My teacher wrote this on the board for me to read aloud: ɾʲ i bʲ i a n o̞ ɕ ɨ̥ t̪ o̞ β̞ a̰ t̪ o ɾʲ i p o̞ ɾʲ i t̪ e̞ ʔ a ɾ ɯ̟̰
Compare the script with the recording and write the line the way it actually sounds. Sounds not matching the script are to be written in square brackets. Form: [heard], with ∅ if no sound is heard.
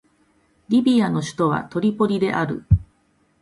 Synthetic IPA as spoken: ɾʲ i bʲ i a n o̞ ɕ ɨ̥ t̪ o̞ β̞ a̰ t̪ o ɾʲ i p o̞ ɾʲ i [d̪] e̞ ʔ a ɾ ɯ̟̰

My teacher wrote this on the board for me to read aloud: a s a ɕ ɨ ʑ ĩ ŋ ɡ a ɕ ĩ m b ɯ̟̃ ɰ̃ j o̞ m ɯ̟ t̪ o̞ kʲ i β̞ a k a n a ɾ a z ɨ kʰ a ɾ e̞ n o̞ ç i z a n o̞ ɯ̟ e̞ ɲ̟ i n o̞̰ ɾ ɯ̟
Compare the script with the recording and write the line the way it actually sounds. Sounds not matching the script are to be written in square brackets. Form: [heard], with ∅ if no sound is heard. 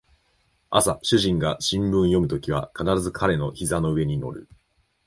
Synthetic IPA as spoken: a s a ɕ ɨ ʑ ĩ ŋ ɡ a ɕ ĩ m b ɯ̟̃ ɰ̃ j o̞ m ɯ̟ t̪ o̞ kʲ i β̞ a k a n a ɾ a z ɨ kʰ a ɾ e̞ n o̞ ç i z a n o̞ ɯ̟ e̞ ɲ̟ i n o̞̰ ɾ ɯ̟

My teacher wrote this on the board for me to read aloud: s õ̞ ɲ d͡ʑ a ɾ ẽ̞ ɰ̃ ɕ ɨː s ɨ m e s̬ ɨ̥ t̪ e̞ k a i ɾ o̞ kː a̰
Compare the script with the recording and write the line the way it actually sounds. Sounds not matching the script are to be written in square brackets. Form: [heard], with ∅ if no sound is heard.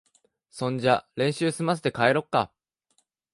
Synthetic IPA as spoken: s õ̞ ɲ d͡ʑ a ɾ ẽ̞ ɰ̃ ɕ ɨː s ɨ m [a] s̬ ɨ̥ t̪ e̞ k a [e] ɾ o̞ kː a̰

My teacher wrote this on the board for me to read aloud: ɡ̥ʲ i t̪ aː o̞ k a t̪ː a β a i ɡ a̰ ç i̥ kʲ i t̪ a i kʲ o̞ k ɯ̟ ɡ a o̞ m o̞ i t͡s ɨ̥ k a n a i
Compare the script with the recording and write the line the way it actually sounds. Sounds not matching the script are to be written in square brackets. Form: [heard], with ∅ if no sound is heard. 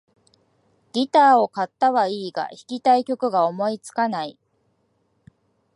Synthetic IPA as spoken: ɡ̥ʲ i t̪ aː o̞ k a t̪ː a β a [iː] ɡ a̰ ç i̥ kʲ i t̪ a i kʲ o̞ k ɯ̟ ɡ a o̞ m o̞ i t͡s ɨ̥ k a n a i

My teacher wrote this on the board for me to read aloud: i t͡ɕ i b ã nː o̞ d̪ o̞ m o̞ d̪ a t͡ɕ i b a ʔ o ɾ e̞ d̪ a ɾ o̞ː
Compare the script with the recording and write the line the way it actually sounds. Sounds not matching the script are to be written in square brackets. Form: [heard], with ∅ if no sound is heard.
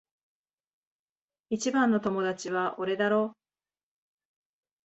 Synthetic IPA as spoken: i t͡ɕ i b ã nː o̞ [t̪] o̞ m o̞ d̪ a t͡ɕ i [β] a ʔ o ɾ e̞ d̪ a ɾ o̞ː

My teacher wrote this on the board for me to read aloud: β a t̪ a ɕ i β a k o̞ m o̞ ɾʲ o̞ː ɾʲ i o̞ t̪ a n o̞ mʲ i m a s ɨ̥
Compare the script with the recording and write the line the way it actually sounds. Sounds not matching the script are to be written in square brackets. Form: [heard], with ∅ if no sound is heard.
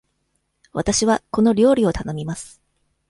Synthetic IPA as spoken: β a t̪ a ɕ i β a k o̞ [n] o̞ ɾʲ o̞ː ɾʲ i o̞ t̪ a n o̞ mʲ i m a s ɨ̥

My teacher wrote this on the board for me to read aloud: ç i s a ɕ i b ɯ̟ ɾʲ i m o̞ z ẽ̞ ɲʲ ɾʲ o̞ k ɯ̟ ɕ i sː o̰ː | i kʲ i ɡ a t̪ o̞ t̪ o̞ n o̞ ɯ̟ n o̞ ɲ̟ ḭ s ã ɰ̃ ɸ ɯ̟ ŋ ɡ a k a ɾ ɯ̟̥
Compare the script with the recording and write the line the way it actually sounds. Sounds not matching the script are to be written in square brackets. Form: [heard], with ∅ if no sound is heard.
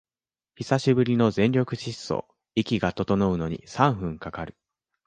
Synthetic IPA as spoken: ç i s a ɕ i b ɯ̟ ɾʲ i [n] o̞ z ẽ̞ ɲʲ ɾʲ o̞ k ɯ̟ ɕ i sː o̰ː | i kʲ i ɡ a t̪ o̞ t̪ o̞ n o̞ ɯ̟ n o̞ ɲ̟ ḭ s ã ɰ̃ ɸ [ɯ̟̃] ŋ [k] a k a ɾ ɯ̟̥

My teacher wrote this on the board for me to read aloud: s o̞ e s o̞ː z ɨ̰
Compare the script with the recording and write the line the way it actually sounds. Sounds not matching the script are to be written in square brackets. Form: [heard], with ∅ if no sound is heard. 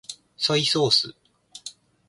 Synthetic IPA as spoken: s o̞ [i] s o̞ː [s] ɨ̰

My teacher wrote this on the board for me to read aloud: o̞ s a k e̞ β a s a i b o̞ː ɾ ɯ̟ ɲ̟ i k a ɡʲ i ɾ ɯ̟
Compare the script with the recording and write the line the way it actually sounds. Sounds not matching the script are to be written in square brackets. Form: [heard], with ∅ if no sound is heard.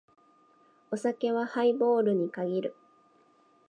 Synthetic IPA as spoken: o̞ s a k e̞ β a [h] a i b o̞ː ɾ ɯ̟ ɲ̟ i k a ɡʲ i ɾ ɯ̟

